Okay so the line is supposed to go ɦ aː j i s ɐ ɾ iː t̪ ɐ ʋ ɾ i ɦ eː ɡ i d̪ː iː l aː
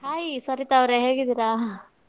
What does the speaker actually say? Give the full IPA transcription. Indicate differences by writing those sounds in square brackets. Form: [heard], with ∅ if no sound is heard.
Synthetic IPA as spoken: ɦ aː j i s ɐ ɾ [i] t̪ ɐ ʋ ɾ [e] ɦ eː ɡ i [d̪] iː [ɾ] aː